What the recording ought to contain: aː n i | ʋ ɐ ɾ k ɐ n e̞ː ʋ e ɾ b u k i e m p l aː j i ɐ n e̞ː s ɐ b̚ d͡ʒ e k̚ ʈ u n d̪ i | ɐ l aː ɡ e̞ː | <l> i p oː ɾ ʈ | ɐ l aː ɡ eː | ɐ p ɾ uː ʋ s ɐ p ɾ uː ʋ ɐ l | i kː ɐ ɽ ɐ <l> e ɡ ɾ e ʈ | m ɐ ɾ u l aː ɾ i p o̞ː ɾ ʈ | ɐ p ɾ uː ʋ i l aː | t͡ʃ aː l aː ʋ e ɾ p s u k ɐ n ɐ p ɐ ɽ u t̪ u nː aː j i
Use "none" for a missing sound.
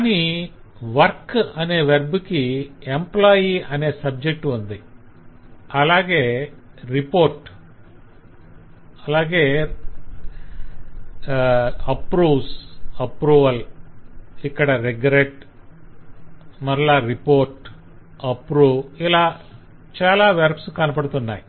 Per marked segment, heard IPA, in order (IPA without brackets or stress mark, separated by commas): ɾ, ɾ